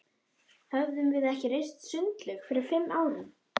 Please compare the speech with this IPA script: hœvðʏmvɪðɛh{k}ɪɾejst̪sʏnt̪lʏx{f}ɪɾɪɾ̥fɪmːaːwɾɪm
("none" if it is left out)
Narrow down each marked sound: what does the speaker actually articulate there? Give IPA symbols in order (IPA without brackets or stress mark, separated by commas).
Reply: c, f